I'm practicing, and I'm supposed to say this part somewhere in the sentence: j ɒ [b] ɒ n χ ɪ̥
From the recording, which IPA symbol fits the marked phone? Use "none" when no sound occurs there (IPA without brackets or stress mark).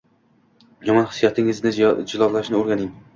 m